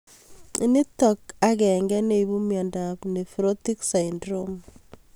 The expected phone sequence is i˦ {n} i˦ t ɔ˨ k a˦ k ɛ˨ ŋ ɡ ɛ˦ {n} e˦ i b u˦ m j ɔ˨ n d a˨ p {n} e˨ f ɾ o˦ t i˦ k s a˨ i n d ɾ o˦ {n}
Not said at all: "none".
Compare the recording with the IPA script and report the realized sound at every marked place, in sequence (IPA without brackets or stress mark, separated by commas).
n, n, n, m